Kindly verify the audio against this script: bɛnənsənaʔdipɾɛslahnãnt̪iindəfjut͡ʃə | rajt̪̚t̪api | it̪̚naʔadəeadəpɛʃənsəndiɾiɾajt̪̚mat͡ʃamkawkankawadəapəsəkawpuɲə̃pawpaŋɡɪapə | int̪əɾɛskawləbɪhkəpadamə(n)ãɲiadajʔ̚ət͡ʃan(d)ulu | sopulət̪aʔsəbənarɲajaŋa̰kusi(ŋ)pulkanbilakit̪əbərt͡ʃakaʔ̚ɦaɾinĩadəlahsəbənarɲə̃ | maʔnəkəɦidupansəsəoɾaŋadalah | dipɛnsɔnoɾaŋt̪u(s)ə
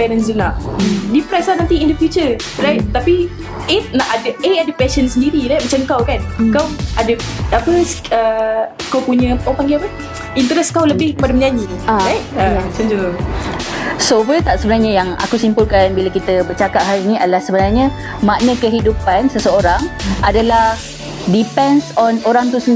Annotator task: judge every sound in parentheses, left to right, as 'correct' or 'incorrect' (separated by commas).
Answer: incorrect, incorrect, incorrect, correct